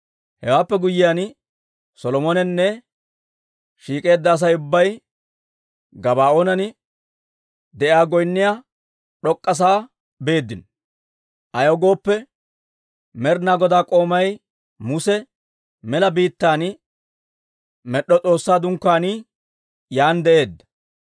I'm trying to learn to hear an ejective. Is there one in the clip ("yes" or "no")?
yes